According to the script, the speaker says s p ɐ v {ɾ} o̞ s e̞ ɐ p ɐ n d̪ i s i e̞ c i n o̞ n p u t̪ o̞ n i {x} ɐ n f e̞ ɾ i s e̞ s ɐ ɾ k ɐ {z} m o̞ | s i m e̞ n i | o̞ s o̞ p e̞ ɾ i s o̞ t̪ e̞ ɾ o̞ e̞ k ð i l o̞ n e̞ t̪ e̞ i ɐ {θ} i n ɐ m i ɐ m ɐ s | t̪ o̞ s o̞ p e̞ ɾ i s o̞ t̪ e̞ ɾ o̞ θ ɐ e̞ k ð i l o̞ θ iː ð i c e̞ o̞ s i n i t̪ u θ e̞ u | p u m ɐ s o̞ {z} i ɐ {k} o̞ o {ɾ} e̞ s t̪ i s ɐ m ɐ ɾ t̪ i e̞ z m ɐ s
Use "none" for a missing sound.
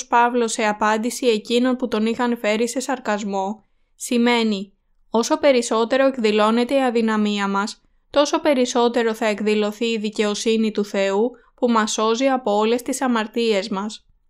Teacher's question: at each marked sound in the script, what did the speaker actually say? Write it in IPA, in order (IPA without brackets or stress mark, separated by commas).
l, x, z, ð, z, p, l